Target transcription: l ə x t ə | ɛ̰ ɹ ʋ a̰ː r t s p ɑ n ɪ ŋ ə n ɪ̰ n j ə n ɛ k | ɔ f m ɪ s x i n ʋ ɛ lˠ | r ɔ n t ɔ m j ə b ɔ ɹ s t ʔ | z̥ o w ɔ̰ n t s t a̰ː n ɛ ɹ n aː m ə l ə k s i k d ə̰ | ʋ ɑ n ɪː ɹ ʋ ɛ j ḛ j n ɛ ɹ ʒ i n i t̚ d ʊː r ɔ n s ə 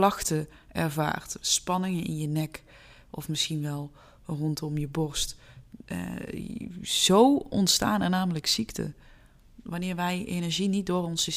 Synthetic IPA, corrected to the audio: l ɑ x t ə | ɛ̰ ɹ v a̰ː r t s p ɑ n ɪ ŋ ə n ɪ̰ n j ə n ɛ k | ɔ f m ɪ s x i n ʋ ɛ lˠ | r ɔ n t ɔ m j ə b ɔ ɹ s t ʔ | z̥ o w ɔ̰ n t s t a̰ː n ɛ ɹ n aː m ə l ə k s i k t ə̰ | ʋ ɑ n ɪː ɹ ʋ ɛ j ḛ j n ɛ ɹ ʒ i n i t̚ d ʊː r ɔ n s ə